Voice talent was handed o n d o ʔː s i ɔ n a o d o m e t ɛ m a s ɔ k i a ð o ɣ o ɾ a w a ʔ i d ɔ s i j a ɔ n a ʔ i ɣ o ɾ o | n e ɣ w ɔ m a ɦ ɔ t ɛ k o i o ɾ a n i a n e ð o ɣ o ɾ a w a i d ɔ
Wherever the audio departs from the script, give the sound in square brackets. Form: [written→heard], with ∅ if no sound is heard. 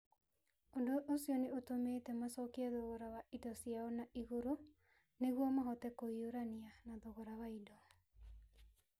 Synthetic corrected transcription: o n d o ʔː s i ɔ n [a→e] o [d→t] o m e t ɛ m a s ɔ k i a ð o ɣ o ɾ a w a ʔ i d ɔ s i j a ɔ n a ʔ i ɣ o ɾ o | n e ɣ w ɔ m a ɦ ɔ t ɛ k o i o ɾ a n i a n [e→a] ð o ɣ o ɾ a w a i d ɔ